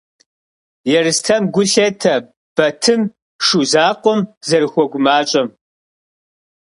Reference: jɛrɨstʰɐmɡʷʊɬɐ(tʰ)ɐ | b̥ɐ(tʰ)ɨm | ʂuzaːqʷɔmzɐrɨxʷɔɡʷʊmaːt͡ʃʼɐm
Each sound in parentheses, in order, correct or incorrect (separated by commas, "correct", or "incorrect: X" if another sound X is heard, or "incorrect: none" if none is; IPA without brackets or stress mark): correct, correct